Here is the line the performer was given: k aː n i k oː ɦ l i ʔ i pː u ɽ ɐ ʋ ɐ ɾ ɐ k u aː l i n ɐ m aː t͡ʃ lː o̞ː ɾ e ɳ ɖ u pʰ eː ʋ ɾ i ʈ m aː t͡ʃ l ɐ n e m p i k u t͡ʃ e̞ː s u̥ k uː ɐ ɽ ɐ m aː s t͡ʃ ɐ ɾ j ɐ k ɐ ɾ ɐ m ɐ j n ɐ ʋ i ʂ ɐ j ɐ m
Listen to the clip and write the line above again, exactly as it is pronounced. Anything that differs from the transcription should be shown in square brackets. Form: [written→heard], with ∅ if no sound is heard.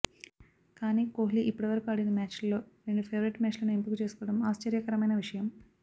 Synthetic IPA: k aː n i k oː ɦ l i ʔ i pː u ɽ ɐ ʋ ɐ ɾ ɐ k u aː [l→ɽ] i n ɐ m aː t͡ʃ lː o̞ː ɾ e ɳ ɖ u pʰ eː ʋ ɾ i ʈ m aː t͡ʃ l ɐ n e m p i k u t͡ʃ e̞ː s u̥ k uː ɐ ɽ ɐ m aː s t͡ʃ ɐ ɾ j ɐ k ɐ ɾ ɐ m ɐ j n ɐ ʋ i ʂ ɐ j ɐ m